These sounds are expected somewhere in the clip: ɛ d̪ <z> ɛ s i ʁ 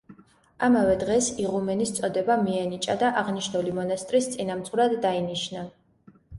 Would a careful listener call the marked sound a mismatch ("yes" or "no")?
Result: yes